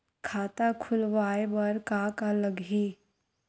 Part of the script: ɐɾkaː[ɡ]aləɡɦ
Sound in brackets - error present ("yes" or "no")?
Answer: yes